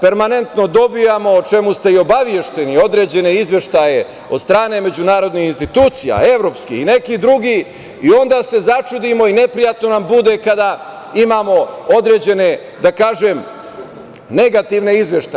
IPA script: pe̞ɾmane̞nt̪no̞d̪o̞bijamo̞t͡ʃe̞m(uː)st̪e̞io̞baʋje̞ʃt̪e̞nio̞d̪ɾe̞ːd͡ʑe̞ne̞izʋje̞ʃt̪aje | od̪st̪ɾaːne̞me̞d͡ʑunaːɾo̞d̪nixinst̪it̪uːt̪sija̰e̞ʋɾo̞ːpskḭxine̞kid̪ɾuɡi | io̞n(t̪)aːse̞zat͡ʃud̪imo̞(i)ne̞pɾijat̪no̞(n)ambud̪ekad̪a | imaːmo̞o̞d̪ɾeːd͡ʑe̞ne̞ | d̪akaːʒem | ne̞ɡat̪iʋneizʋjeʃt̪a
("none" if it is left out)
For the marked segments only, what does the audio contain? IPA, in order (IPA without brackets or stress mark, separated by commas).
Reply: u, d̪, i, n